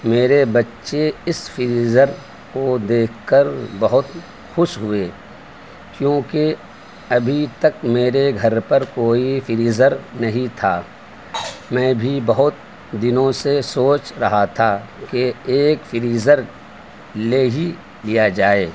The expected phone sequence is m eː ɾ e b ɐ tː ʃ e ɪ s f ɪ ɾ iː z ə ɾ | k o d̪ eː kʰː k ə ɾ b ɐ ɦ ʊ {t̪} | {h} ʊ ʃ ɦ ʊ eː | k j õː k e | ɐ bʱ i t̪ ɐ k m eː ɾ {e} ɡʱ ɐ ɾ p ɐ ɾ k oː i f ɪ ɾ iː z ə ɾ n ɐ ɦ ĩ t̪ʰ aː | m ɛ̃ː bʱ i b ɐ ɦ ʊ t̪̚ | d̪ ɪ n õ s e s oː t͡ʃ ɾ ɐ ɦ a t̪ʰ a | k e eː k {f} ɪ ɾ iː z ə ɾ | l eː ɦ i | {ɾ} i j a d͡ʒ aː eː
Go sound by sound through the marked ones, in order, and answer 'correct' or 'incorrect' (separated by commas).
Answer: correct, incorrect, correct, correct, incorrect